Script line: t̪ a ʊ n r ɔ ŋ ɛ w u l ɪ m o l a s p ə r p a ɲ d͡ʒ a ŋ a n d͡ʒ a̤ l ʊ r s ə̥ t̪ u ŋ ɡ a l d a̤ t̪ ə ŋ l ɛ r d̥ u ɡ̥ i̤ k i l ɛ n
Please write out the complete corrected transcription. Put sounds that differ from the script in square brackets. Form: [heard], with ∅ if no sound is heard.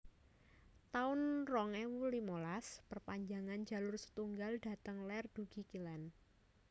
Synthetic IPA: t̪ a ʊ n r ɔ ŋ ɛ w u l [i] m o l a s p ə r p a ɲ d͡ʒ a ŋ a n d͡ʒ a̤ l ʊ r s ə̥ t̪ u ŋ ɡ a l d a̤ t̪ ə ŋ l ɛ r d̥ u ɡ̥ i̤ k i l ɛ n